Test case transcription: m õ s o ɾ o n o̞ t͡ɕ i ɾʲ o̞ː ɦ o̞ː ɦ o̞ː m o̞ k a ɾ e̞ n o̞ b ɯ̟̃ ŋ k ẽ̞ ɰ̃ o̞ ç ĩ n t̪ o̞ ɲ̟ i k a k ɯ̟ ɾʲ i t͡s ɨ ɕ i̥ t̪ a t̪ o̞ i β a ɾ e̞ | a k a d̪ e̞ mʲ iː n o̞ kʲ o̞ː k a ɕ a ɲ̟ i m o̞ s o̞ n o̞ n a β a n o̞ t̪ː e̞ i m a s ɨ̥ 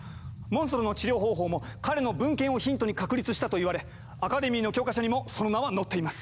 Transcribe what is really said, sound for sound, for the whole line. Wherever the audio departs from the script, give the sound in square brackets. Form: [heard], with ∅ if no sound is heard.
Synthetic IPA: m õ s o ɾ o n o̞ t͡ɕ i ɾʲ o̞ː ɦ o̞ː ɦ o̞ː m o̞ k a ɾ e̞ n o̞ b ɯ̟̃ ŋ k ẽ̞ ɰ̃ o̞ ç ĩ n t̪ o̞ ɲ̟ i k a k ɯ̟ ɾʲ i t͡s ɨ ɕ i̥ t̪ a t̪ o̞ i β a ɾ e̞ | a k a d̪ e̞ mʲ iː n o̞ kʲ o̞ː k a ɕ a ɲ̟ i m o̞ s o̞ n o̞ n a β a n o̞ t̪ː e̞ i m a s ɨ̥